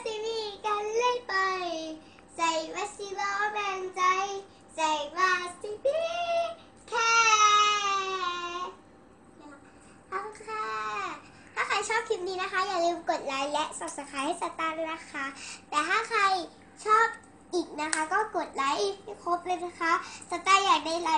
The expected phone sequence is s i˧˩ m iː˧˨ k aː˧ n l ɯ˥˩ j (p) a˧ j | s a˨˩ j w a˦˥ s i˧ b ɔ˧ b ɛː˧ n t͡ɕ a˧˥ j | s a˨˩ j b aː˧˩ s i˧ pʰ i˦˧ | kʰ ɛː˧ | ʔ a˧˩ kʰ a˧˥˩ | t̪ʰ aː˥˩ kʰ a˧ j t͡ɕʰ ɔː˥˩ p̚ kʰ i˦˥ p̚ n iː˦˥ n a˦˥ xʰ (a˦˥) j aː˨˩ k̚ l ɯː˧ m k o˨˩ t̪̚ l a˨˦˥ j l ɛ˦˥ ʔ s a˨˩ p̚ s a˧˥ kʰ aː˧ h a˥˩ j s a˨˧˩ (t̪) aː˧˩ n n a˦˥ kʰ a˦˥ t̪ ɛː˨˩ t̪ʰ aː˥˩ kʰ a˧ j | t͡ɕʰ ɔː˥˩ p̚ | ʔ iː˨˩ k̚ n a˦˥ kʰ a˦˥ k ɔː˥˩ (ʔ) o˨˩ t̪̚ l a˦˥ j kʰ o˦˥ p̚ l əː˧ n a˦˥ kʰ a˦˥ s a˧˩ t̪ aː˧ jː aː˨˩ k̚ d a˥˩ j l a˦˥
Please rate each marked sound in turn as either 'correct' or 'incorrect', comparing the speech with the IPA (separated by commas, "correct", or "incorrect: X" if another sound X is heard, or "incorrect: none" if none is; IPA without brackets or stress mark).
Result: correct, correct, correct, incorrect: k